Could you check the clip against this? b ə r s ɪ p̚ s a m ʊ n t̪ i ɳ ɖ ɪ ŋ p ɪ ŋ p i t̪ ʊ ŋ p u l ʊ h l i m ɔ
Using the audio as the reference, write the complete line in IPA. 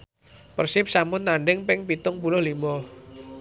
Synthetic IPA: p ə r s ɪ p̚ s a m ʊ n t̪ a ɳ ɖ ɪ ŋ p ɪ ŋ p i t̪ ʊ ŋ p u l ʊ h l i m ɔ